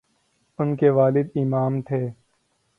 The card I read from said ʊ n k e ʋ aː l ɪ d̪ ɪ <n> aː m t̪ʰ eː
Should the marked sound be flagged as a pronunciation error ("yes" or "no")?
yes